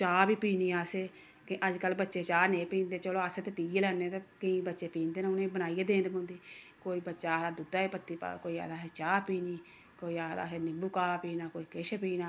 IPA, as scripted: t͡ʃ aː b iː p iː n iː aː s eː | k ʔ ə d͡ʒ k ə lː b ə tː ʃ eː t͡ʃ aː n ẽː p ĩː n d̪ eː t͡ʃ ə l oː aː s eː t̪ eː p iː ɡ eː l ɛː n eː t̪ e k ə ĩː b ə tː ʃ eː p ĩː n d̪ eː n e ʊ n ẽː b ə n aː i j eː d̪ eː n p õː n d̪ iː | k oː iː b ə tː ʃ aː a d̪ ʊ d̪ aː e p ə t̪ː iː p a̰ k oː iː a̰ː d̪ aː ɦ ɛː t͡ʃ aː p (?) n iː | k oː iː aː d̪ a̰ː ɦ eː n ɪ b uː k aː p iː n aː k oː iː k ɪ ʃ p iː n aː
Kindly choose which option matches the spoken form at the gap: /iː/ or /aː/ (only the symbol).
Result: iː